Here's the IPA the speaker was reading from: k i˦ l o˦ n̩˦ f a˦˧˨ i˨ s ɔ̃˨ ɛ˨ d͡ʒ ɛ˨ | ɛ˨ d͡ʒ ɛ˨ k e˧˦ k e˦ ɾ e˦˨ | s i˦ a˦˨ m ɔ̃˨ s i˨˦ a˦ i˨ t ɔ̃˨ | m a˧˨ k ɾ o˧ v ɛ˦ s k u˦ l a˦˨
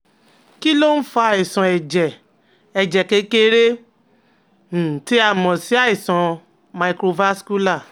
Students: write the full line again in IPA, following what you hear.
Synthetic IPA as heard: k i˦ l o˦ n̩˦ f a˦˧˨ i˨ s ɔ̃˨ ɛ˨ d͡ʒ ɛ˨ | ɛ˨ d͡ʒ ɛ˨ k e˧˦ k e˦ ɾ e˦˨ | t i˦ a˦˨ m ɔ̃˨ s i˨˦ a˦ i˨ s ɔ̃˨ | m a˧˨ k ɾ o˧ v a˦ s k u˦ l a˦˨